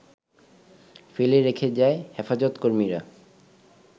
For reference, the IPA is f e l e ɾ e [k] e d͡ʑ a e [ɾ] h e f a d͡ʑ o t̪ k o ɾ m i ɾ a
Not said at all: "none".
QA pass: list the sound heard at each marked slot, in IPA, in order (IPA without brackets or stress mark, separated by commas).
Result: kʰ, none